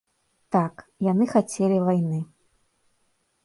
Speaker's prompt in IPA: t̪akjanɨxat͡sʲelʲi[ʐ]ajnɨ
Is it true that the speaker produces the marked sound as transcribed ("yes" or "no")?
no